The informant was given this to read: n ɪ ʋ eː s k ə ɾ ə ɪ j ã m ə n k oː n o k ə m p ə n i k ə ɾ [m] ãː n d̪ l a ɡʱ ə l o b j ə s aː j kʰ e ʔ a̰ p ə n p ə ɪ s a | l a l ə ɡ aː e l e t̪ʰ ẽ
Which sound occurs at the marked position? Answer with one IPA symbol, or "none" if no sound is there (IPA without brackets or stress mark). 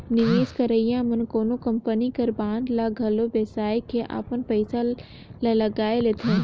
b